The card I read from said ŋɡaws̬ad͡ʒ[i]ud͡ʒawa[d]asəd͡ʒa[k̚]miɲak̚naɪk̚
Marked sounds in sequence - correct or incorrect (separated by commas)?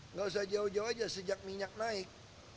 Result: incorrect, incorrect, correct